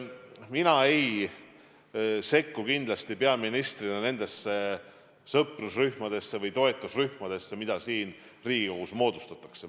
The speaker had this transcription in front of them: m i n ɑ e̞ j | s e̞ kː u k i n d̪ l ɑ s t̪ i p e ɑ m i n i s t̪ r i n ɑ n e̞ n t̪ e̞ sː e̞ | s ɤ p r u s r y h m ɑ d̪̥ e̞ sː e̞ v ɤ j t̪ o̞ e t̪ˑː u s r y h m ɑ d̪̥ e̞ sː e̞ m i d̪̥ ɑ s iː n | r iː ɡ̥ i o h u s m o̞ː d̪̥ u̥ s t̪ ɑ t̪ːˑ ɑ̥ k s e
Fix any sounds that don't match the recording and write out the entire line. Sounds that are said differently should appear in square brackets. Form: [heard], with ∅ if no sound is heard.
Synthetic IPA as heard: m i n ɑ e̞ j | s e̞ kː u k i n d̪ l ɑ s t̪ i p e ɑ m i n i s t̪ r i n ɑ n e̞ n [d̪] e̞ sː e̞ | s ɤ p r u s r y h m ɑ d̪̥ e̞ sː e̞ v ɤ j t̪ o̞ e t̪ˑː u s r y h m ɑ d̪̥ e̞ sː e̞ m i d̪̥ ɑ s iː n | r iː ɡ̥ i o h u s m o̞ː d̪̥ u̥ s t̪ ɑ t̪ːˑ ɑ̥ k s e